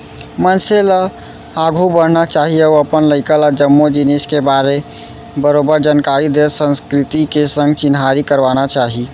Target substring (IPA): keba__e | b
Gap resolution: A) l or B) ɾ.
B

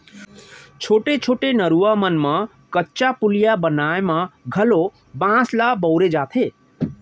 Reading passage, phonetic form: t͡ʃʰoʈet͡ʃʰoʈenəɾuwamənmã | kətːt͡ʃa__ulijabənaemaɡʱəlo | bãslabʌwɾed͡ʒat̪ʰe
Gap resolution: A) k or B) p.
B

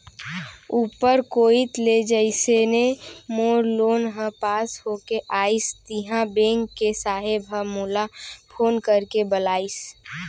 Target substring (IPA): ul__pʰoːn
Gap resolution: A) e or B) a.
B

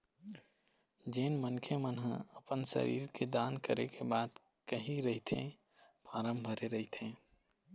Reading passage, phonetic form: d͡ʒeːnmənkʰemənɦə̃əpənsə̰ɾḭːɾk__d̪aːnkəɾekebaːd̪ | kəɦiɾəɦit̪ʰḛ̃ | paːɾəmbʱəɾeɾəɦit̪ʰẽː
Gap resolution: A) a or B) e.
B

